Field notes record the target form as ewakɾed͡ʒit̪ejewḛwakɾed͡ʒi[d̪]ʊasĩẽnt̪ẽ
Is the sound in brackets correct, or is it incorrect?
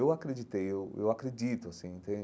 incorrect